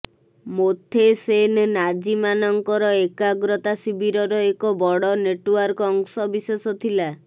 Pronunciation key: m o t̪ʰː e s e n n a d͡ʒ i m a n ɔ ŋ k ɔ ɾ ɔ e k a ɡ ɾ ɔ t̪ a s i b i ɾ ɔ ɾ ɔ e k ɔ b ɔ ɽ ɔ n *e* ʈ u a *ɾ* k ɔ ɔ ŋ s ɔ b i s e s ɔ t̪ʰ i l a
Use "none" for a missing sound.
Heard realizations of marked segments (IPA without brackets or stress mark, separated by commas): e, ɾ